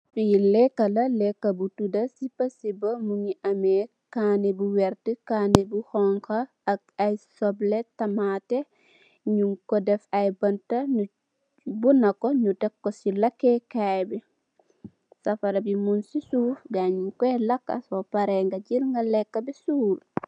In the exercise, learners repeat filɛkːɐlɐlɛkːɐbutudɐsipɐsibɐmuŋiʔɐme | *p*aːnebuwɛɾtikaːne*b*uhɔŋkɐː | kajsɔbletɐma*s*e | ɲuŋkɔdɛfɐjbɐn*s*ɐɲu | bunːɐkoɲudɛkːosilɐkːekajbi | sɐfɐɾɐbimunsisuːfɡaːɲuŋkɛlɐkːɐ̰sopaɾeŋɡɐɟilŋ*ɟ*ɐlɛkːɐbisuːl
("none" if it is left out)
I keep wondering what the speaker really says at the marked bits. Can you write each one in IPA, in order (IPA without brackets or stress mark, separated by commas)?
k, b, t, t, ɡ